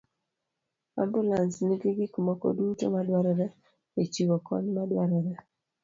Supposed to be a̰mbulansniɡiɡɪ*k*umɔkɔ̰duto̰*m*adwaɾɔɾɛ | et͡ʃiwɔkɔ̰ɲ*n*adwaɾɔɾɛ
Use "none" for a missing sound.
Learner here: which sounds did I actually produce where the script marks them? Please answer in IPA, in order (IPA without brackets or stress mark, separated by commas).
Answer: k, m, m